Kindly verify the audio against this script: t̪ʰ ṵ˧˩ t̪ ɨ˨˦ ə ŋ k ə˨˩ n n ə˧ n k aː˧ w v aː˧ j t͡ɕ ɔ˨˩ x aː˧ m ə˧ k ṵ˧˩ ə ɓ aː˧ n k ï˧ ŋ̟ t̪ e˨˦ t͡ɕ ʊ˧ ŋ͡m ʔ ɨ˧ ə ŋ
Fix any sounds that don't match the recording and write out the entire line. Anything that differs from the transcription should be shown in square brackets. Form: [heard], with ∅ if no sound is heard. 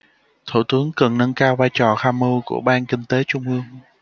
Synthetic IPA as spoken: t̪ʰ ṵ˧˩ t̪ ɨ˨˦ ə ŋ k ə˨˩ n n ə˧ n k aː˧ w v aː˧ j t͡ɕ ɔ˨˩ x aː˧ m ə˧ k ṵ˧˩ ə ɓ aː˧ n k ï˧ ŋ̟ t̪ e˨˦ t͡ɕ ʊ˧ ŋ͡m ʔ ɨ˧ ə ŋ